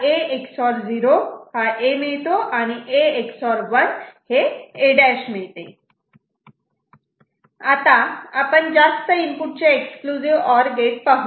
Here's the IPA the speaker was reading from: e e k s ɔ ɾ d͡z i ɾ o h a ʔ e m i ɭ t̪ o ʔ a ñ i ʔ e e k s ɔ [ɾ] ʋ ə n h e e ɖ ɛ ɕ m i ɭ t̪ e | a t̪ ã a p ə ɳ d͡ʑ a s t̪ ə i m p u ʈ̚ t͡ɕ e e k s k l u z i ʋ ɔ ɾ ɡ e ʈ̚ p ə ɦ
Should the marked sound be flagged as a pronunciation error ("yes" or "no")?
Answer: no